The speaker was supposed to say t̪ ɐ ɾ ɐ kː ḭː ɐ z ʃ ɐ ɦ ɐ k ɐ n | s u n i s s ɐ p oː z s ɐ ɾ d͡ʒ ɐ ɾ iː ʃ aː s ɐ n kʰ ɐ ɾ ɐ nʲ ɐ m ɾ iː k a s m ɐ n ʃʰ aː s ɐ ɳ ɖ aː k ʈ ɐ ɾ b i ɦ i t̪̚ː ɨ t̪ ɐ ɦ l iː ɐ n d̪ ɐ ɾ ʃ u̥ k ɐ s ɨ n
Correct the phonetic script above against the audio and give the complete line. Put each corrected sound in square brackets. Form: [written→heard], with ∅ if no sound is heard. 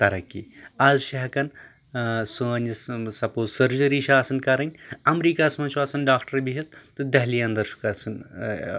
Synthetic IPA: t̪ ɐ ɾ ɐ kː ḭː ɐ z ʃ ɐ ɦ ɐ k ɐ n | s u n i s s ɐ p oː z s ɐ ɾ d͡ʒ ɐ ɾ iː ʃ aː s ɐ n [kʰ→k] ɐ ɾ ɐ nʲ ɐ m ɾ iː k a s m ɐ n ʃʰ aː s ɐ [ɳ→n] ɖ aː k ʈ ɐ ɾ b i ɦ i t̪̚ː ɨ [t̪→d̪] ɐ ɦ l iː ɐ n d̪ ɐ ɾ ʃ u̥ k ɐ s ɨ n

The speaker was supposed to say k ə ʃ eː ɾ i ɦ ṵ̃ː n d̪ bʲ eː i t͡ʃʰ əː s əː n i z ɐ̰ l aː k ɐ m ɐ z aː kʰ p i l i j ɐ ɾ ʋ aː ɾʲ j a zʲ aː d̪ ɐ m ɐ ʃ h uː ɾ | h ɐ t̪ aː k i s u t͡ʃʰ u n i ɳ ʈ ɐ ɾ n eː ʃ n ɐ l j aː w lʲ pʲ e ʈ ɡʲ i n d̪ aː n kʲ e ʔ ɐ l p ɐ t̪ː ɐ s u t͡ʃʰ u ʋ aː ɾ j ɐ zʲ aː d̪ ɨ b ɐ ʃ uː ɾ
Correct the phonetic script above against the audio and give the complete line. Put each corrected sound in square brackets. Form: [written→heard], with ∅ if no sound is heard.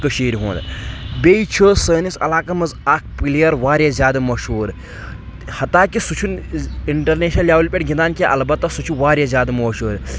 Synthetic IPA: k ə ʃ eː ɾ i ɦ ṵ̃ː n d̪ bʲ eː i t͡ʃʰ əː s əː n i [z→s] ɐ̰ l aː k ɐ m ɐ z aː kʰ p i l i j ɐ ɾ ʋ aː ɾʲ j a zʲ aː d̪ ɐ m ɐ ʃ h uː ɾ | h ɐ t̪ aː k i s u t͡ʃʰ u n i ɳ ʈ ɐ ɾ n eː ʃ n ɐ l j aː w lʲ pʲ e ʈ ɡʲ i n d̪ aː n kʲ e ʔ ɐ l [p→b] ɐ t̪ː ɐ s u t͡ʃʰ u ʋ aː ɾ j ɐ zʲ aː d̪ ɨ [b→m] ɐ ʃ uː ɾ

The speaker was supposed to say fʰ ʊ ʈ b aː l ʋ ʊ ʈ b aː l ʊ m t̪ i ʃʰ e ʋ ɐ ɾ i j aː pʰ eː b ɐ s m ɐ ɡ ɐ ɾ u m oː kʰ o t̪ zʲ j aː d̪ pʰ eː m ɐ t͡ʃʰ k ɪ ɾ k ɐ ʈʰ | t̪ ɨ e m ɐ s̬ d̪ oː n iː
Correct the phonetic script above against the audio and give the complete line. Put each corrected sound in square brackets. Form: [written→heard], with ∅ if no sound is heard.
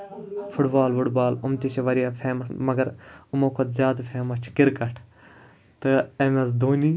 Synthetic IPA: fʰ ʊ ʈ b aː l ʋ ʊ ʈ b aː l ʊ m t̪ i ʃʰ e ʋ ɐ ɾ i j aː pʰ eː [b→m] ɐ s m ɐ ɡ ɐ ɾ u m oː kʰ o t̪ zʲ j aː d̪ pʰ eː m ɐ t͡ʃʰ k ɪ ɾ k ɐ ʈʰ | t̪ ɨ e m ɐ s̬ d̪ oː n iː

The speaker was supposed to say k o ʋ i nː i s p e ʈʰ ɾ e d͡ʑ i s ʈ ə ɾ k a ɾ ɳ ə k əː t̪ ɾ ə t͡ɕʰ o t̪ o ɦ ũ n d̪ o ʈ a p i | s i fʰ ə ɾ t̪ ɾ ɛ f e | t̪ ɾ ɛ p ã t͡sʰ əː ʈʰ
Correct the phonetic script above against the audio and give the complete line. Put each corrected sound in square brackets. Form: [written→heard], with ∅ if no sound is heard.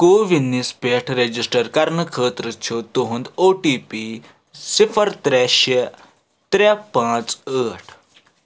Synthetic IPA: k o ʋ i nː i s p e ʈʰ ɾ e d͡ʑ i s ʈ ə ɾ k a ɾ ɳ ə [k→kʰ] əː t̪ ɾ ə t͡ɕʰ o t̪ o ɦ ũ n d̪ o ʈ [a→i] p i | s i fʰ ə ɾ t̪ ɾ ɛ [f→ɕ] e | t̪ ɾ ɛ p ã [t͡sʰ→t͡s] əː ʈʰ

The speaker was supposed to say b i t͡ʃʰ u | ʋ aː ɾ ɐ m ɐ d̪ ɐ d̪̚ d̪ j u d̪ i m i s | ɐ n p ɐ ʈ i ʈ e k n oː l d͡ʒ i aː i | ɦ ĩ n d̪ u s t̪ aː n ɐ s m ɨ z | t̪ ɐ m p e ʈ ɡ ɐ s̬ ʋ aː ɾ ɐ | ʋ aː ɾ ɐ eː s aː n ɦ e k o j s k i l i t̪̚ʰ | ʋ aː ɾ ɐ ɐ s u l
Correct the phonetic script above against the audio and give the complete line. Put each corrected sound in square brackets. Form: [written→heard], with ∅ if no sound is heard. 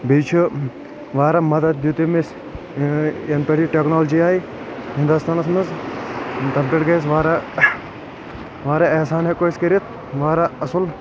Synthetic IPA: b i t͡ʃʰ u | ʋ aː ɾ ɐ m ɐ d̪ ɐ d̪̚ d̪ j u [d̪→t̪] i m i s | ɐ n p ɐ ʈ i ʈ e k n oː l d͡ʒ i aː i | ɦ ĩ n d̪ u s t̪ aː n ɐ s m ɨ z | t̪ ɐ m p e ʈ ɡ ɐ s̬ ʋ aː ɾ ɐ | ʋ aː ɾ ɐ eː s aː n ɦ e k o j s k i [l→ɾ] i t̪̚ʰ | ʋ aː ɾ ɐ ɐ s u l

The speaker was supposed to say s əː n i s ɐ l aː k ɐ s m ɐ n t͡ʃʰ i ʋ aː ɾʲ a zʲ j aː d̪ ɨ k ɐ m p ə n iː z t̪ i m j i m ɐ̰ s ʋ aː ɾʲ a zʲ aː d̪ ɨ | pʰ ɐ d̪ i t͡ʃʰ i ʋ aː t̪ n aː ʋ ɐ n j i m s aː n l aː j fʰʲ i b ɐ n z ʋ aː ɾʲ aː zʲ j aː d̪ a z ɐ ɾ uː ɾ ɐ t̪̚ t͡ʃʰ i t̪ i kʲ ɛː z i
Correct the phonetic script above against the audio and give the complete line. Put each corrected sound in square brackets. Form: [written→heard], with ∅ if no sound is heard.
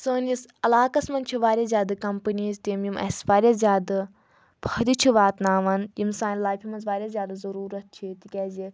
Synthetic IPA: s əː n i s ɐ l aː k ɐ s m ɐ n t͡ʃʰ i ʋ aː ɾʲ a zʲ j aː d̪ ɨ k ɐ m p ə n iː z t̪ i m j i m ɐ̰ s ʋ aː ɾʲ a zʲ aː d̪ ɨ | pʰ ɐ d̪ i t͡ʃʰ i ʋ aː t̪ n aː ʋ ɐ n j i m s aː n l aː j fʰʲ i [b→m] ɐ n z ʋ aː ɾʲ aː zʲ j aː d̪ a z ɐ ɾ uː ɾ ɐ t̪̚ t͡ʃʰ i t̪ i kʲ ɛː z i

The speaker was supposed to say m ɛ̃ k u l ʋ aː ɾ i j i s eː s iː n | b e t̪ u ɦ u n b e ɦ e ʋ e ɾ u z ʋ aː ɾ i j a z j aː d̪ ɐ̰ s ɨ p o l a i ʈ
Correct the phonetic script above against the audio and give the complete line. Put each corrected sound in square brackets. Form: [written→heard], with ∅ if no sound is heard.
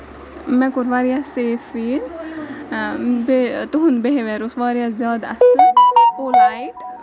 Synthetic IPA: m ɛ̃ k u [l→ɾ] ʋ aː ɾ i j [i→a] s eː [s→f] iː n | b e t̪ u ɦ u n b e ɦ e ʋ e ɾ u [z→s] ʋ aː ɾ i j a z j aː d̪ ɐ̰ s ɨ p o l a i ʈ

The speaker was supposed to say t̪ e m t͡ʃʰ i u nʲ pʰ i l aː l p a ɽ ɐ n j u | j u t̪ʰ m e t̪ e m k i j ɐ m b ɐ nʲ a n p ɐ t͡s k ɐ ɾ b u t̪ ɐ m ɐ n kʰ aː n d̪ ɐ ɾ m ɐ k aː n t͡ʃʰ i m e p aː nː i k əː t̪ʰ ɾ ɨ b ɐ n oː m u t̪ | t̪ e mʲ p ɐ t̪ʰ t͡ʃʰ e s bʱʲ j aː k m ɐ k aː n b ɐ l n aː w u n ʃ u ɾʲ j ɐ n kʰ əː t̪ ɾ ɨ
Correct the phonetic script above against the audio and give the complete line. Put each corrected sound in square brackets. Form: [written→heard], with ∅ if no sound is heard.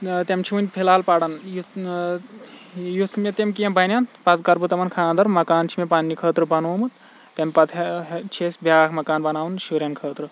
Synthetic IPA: t̪ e m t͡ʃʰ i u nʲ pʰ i l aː l p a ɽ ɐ n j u | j u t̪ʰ m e t̪ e m k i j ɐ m b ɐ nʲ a n p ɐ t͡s k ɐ ɾ b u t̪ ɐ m ɐ n kʰ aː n d̪ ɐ ɾ m ɐ k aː n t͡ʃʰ i m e p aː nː i [k→kʰ] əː [t̪ʰ→t̪] ɾ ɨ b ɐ n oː m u t̪ | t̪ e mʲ p ɐ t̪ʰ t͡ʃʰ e s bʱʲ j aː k m ɐ k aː n b ɐ [l→∅] n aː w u n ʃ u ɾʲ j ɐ n kʰ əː t̪ ɾ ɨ

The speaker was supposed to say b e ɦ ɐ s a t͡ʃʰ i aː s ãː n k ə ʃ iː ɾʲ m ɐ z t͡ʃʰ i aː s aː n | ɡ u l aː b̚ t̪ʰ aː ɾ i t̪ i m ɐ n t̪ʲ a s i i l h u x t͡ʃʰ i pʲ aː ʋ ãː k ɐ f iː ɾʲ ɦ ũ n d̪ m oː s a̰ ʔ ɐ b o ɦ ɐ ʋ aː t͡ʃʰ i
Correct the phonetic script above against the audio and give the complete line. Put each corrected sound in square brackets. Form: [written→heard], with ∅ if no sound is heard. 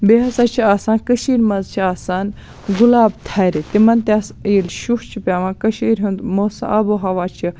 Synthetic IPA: b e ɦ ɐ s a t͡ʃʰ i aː s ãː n k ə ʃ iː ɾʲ m ɐ z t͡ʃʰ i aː s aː n | ɡ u l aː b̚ t̪ʰ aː ɾ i t̪ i m ɐ n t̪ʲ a s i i l [h→ʃ] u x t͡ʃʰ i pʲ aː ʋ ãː k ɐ [f→ʃ] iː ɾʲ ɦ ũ n d̪ m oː s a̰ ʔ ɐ b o ɦ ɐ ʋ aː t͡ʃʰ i

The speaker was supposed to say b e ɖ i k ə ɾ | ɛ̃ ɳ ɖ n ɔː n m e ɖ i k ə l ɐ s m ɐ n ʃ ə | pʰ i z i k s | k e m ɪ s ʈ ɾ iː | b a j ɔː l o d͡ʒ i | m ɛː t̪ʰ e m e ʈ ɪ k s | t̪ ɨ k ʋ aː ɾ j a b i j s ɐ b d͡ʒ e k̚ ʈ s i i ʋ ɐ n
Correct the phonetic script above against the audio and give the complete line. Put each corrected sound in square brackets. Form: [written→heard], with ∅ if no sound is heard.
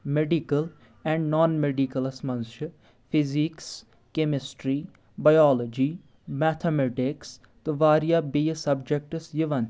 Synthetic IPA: [b→m] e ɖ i k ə [ɾ→l] | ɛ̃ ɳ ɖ n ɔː n m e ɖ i k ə l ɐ s m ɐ n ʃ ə | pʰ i z i k s | k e m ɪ s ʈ ɾ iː | b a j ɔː l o d͡ʒ i | m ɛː t̪ʰ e m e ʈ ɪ k s | t̪ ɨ [k→∅] ʋ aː ɾ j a b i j s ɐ b d͡ʒ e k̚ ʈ s [i→j] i ʋ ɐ n

